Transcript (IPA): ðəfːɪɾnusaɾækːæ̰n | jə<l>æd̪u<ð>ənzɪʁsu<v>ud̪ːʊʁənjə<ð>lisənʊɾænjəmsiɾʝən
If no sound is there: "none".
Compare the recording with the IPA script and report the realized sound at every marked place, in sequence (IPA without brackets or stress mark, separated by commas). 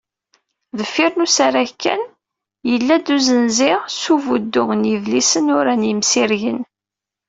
lː, z, v, v